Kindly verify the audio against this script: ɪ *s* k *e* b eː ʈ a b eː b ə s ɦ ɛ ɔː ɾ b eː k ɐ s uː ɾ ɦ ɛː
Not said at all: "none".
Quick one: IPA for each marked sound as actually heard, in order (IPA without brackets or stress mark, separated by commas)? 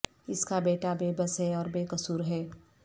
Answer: s, a